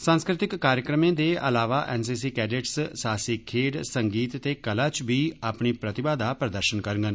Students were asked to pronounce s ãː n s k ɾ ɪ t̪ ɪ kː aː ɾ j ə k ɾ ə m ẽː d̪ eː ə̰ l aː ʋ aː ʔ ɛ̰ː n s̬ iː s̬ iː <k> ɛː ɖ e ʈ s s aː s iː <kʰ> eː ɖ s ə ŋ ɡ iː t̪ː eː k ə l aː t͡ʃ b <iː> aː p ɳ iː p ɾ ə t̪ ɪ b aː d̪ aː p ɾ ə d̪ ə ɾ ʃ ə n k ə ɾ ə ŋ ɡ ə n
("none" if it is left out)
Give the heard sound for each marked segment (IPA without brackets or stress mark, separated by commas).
k, kʰ, iː